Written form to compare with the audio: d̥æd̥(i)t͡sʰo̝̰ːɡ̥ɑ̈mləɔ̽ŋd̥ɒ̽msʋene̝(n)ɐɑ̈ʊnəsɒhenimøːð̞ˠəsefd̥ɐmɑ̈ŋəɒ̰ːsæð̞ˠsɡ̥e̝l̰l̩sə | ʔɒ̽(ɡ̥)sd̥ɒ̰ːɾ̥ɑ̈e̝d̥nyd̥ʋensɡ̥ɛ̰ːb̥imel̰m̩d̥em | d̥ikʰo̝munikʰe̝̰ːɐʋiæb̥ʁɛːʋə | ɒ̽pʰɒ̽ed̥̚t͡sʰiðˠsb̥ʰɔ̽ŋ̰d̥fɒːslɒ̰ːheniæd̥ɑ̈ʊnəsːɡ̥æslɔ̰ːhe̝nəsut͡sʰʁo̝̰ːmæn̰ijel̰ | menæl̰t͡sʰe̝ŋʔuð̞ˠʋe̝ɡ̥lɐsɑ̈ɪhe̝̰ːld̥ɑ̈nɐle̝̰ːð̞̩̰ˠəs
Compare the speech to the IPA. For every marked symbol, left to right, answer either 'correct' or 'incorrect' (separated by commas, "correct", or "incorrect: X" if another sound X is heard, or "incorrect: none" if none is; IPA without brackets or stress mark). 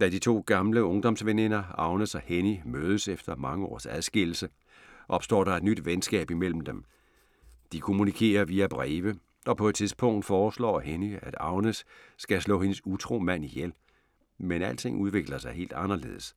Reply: correct, correct, incorrect: b̥